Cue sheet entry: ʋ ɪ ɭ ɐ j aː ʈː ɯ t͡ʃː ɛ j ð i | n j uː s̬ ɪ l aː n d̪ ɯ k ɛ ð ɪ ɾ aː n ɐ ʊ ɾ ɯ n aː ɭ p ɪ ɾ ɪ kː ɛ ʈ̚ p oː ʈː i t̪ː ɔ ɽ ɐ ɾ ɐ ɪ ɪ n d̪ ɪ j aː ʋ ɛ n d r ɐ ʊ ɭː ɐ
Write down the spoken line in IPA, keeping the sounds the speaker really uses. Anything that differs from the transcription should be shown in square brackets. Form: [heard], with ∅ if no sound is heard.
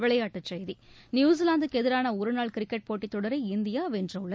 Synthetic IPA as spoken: ʋ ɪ ɭ ɐ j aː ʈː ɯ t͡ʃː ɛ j ð i | n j uː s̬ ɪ l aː n d̪ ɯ k ɛ ð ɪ ɾ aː n ɐ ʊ ɾ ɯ n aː ɭ [k] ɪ ɾ ɪ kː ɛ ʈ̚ p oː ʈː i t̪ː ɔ ɽ ɐ ɾ ɐ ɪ ɪ n d̪ ɪ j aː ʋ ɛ n d r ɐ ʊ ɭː ɐ